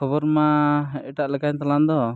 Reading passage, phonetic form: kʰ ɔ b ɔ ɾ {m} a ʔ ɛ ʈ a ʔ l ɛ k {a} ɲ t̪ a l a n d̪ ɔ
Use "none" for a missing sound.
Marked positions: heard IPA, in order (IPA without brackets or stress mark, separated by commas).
m, a